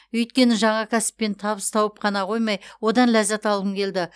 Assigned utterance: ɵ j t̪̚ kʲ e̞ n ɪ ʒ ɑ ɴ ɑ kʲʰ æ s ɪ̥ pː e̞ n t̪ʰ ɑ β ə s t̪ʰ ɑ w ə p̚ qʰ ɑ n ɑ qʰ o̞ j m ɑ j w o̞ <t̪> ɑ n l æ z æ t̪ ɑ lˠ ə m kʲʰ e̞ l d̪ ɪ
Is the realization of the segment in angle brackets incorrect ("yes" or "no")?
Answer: yes